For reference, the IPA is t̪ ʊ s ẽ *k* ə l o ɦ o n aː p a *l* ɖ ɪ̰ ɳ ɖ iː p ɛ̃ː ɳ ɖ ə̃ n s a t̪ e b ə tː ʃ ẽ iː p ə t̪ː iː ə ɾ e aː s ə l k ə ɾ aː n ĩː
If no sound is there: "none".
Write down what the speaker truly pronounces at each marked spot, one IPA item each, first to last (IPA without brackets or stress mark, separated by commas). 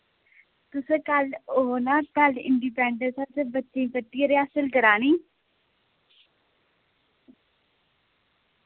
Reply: k, l